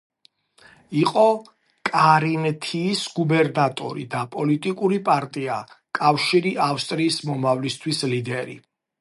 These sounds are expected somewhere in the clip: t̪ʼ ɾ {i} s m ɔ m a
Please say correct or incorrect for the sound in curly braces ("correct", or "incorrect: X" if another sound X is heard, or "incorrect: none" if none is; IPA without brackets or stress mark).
incorrect: iː